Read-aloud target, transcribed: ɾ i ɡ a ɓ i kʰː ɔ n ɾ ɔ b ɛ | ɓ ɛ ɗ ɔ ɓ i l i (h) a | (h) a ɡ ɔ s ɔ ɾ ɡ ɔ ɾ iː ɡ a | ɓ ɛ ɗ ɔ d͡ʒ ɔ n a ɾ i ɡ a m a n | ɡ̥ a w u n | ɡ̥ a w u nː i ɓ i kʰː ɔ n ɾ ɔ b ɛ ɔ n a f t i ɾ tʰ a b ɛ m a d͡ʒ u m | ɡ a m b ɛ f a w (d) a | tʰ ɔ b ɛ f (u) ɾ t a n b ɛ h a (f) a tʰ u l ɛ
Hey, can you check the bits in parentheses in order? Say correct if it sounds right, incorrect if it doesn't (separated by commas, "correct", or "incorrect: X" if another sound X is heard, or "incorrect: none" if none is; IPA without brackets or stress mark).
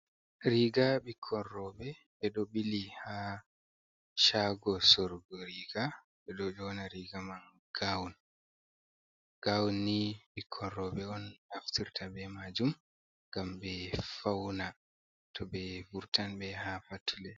correct, incorrect: ʃ, incorrect: n, correct, correct